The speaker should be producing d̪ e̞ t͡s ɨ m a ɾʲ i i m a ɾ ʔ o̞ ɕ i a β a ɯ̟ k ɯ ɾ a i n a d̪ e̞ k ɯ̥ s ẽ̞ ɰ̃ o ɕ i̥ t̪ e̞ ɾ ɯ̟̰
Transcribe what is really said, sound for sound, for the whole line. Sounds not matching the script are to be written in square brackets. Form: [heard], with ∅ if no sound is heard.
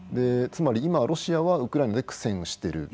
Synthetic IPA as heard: d̪ e̞ t͡s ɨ m a ɾʲ i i m a ɾ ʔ o̞ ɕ i a β a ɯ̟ k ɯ ɾ a i n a d̪ e̞ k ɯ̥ s ẽ̞ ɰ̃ o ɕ i̥ t̪ e̞ ɾ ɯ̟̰